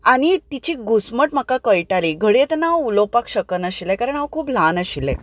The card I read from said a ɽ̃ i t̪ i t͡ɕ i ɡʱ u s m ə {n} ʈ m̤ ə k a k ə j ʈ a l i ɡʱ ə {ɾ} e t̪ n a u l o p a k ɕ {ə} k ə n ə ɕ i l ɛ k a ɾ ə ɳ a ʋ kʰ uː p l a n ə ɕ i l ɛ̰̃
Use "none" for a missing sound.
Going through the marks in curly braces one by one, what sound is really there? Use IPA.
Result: none, ɽ, ə

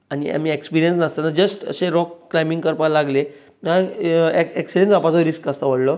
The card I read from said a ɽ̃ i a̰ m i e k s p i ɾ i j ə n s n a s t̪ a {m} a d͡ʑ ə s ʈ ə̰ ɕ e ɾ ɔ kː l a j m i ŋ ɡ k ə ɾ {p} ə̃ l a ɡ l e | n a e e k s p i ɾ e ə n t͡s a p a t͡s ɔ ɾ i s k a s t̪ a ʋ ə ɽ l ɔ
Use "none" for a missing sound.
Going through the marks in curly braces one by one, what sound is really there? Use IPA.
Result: n, p

